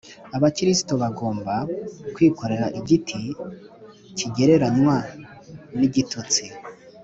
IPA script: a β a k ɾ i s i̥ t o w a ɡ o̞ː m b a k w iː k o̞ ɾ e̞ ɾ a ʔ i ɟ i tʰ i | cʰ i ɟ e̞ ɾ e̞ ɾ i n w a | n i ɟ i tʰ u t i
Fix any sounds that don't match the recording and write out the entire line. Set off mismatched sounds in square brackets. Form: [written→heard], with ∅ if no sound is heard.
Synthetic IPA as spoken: a β a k ɾ i s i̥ t o [w→β] a ɡ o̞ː m b a k w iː k o̞ ɾ e̞ ɾ a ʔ i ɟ i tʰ i | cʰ i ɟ e̞ ɾ e̞ ɾ [i→a] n w a | n i ɟ i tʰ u [t→t͡s] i